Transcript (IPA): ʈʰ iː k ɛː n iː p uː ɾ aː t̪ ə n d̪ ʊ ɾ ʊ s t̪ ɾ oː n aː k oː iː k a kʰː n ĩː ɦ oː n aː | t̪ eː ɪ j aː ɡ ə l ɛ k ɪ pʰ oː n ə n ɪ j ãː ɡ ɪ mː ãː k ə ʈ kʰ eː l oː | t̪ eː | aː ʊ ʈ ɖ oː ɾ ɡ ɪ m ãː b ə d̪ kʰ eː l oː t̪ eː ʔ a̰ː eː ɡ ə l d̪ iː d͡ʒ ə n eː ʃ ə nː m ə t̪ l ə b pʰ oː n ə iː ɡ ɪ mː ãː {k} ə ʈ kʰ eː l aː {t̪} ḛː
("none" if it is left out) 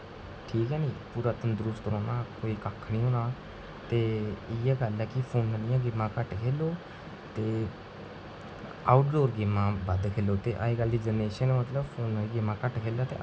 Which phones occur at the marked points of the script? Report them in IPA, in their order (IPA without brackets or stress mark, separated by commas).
k, t̪